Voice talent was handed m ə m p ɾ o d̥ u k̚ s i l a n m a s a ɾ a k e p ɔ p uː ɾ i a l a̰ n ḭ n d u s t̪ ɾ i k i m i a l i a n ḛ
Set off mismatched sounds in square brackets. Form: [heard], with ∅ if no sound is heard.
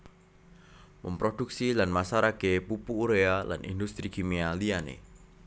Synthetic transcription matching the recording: m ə m p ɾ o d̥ u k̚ s i l a n m a s a ɾ a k e p [u] p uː ɾ [e] a l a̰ n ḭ n d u s t̪ ɾ i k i m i a l i a n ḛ